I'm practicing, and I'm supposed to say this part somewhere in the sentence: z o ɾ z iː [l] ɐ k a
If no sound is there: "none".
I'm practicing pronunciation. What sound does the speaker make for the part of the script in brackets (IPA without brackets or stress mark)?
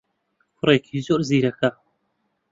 ɾ